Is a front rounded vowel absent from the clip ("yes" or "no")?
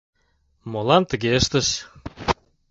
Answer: yes